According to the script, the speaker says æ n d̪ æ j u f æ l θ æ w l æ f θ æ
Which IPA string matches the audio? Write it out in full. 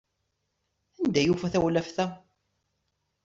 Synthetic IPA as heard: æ n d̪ æ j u f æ θ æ w l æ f θ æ